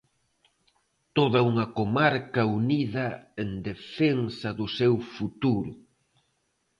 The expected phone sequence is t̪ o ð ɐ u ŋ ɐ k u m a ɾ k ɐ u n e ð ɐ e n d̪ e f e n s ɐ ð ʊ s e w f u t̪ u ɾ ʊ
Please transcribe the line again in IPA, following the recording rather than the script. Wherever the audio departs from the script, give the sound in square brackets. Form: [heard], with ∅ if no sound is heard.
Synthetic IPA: t̪ o ð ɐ u ŋ ɐ k [o] m a ɾ k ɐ u n [i] ð ɐ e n d̪ e f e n s ɐ ð ʊ s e w f u t̪ u ɾ ʊ